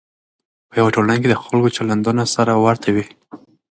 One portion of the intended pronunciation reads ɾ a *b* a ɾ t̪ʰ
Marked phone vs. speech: incorrect: w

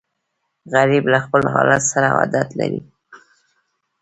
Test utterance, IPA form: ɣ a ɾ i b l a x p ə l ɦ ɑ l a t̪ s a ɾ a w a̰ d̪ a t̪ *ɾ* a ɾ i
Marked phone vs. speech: incorrect: l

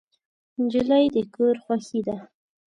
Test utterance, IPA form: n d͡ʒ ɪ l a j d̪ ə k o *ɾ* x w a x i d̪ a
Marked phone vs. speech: correct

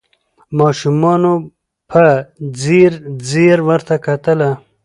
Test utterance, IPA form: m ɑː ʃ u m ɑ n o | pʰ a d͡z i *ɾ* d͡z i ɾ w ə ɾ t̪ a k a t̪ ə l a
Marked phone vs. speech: correct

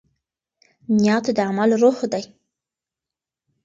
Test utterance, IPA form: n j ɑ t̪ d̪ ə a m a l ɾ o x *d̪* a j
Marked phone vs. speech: correct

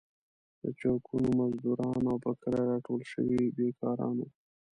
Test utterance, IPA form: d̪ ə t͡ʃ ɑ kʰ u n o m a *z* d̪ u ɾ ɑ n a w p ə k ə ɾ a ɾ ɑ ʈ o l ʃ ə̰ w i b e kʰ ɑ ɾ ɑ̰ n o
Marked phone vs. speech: correct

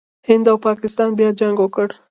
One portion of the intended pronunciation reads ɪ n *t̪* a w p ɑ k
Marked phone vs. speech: incorrect: d̪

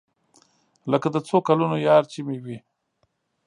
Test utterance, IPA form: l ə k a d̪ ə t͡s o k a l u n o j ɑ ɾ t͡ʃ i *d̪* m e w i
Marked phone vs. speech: incorrect: none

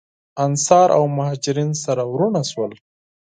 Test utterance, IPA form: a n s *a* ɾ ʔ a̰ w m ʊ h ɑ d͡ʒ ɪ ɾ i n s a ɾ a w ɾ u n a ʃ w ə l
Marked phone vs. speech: incorrect: ɑ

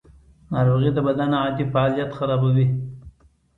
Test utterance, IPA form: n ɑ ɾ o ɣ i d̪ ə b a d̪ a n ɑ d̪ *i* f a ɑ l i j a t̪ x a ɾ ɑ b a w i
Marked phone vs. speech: correct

